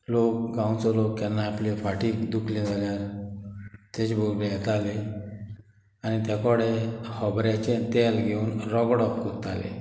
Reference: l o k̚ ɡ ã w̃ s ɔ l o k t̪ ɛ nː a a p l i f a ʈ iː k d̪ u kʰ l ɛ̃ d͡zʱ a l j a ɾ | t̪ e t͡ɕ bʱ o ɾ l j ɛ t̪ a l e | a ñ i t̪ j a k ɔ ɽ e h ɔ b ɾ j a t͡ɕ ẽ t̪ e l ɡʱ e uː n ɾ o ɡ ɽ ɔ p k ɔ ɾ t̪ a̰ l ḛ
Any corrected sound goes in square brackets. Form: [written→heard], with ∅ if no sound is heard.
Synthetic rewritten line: l o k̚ ɡ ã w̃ [s→t͡s] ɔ l o k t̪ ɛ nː a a p l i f a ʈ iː k d̪ u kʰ l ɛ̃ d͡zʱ a l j a ɾ | t̪ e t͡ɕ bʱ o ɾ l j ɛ t̪ a l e | a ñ i t̪ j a k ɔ ɽ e h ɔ b ɾ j a t͡ɕ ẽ t̪ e l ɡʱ e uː n ɾ [o→ɔ] ɡ ɽ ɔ p k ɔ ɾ t̪ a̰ l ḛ